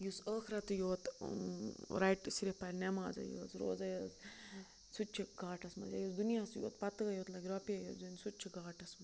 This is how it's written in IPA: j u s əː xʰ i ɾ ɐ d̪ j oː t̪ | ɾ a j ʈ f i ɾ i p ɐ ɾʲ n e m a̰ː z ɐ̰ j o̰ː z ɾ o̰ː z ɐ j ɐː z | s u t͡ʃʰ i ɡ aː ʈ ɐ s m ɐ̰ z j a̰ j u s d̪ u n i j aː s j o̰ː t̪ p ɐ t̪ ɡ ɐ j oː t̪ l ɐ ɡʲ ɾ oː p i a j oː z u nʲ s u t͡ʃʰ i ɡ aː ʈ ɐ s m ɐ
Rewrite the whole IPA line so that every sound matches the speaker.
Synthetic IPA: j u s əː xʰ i ɾ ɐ t̪ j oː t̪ | ɾ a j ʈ s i ɾ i p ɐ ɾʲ n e m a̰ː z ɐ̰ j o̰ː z ɾ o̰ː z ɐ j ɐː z | s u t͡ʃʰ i ɡ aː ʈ ɐ s m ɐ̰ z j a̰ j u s d̪ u n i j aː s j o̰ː t̪ p ɐ t̪ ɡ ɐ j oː t̪ l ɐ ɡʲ ɾ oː p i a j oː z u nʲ s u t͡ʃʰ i ɡ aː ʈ ɐ s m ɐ